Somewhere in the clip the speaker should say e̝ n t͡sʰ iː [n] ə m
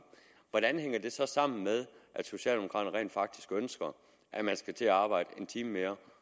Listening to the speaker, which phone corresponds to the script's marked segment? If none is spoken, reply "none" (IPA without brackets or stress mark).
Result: m